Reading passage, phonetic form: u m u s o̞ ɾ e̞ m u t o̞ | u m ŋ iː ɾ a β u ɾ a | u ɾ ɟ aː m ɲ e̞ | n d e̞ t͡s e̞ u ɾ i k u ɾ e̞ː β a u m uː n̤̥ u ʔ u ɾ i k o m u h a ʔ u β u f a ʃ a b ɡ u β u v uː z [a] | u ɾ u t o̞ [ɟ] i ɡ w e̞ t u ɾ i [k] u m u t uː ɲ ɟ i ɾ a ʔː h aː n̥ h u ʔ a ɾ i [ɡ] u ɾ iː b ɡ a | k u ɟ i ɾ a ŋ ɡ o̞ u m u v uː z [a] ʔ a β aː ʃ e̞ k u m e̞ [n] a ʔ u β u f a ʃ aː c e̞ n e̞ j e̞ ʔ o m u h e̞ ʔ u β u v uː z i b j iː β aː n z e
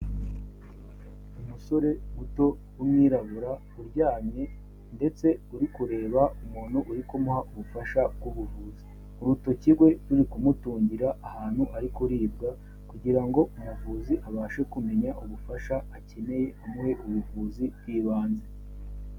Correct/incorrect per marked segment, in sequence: incorrect, incorrect, correct, incorrect, incorrect, incorrect

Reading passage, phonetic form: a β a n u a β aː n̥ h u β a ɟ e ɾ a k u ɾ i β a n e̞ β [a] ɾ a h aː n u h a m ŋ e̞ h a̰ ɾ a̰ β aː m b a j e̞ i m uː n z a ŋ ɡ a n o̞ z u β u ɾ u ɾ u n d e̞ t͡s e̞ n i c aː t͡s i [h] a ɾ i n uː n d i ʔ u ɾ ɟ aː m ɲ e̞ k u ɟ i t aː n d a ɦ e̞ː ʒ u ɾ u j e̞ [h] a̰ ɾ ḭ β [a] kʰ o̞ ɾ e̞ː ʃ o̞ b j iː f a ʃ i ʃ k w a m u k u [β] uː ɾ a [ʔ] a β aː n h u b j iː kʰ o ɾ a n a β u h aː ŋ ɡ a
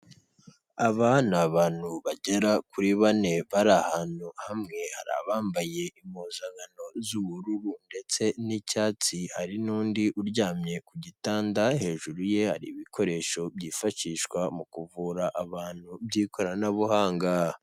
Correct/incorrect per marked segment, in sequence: correct, correct, correct, incorrect, incorrect, correct

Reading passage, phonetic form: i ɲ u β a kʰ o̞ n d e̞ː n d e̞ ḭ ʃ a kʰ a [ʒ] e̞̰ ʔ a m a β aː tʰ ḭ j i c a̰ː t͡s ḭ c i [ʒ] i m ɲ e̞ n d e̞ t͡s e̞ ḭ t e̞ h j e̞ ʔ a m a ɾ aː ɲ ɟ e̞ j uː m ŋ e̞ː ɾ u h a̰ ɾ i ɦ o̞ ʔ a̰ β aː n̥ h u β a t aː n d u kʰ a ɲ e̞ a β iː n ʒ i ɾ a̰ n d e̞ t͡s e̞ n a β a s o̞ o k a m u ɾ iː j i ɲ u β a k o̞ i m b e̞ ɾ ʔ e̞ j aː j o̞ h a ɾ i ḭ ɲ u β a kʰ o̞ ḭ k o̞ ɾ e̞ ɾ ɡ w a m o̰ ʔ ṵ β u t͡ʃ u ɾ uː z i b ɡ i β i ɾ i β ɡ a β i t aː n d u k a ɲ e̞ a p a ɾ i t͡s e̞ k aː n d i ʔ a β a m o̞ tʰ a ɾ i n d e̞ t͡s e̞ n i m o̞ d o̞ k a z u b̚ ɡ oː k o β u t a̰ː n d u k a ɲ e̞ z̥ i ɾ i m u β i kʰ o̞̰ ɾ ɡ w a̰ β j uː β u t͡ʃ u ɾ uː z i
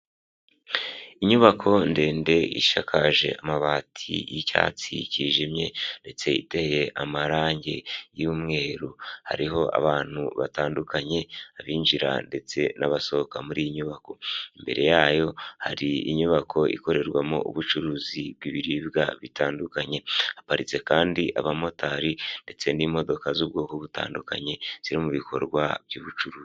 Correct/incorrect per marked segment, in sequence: correct, correct

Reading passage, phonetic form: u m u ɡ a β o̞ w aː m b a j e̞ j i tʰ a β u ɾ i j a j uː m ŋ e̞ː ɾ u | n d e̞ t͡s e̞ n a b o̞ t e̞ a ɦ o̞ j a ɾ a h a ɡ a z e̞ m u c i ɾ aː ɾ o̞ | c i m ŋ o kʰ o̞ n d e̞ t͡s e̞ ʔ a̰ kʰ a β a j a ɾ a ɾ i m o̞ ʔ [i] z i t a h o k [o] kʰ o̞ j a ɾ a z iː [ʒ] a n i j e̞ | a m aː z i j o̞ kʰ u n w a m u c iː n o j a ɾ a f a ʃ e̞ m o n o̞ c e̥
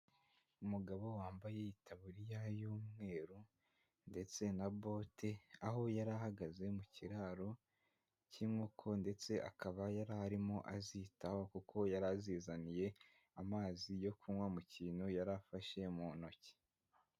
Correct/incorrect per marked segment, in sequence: incorrect, incorrect, incorrect

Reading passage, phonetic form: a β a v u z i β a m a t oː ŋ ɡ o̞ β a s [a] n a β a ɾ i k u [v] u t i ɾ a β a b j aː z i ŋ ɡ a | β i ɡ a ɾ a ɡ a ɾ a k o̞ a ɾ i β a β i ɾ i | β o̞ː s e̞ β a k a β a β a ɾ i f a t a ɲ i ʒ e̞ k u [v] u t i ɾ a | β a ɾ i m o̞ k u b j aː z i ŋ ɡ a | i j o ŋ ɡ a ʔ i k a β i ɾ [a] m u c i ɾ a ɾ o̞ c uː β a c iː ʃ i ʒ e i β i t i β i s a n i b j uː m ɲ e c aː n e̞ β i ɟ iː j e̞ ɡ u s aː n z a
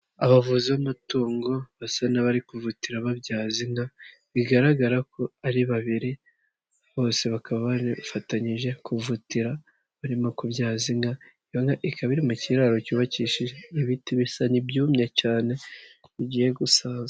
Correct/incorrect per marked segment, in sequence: correct, correct, correct, incorrect

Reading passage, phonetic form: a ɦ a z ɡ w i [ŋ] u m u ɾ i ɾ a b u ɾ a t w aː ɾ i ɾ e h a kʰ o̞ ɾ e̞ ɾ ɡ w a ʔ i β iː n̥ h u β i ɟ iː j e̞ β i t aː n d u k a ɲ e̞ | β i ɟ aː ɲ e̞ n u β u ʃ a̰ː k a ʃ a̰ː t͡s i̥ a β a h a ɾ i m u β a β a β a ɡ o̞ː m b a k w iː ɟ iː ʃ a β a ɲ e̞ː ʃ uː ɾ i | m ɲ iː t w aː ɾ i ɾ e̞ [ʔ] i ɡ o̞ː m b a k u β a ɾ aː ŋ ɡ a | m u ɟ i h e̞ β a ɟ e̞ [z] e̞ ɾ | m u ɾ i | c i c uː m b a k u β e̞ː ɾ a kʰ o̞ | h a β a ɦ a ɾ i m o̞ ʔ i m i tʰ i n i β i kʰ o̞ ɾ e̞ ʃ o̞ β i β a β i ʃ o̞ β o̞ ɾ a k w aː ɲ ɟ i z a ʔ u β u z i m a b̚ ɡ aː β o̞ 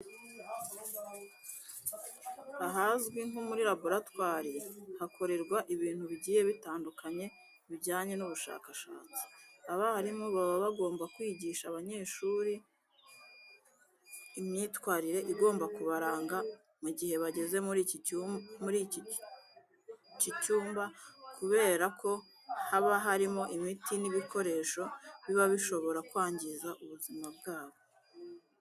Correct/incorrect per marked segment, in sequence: correct, correct, correct

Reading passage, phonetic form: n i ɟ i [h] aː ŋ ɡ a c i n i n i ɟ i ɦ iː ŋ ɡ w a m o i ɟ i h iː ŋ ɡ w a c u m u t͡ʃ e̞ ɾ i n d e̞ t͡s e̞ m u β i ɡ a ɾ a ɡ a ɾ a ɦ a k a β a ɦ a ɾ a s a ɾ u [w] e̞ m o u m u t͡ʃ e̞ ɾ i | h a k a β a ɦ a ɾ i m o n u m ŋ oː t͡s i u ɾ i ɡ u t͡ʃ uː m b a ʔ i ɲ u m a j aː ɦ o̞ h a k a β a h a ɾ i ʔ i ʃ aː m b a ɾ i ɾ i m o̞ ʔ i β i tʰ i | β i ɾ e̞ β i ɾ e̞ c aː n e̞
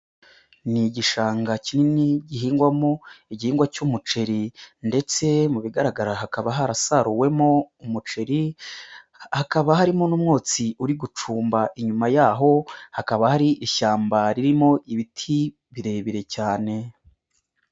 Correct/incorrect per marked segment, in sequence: incorrect, correct

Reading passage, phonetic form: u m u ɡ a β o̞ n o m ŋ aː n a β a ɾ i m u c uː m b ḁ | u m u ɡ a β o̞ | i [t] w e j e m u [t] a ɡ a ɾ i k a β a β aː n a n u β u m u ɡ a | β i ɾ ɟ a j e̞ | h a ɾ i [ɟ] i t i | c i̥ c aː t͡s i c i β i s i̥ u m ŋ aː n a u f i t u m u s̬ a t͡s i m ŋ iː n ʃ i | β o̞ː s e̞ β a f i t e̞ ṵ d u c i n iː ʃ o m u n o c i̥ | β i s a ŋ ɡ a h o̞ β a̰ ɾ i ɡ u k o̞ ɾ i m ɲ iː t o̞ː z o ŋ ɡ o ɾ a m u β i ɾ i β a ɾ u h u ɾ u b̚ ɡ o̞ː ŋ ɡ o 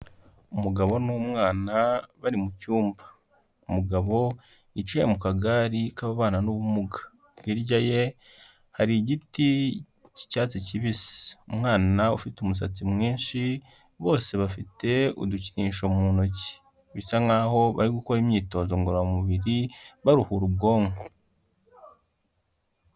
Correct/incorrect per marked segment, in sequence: incorrect, incorrect, correct

